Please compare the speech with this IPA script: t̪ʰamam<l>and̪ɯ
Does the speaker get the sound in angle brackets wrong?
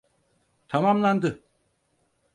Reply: no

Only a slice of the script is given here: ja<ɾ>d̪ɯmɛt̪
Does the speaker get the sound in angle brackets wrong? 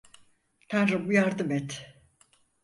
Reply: no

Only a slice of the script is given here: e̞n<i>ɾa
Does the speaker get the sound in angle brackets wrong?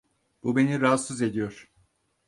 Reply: no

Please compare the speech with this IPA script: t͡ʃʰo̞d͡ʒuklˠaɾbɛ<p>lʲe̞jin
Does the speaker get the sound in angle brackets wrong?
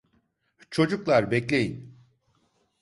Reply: yes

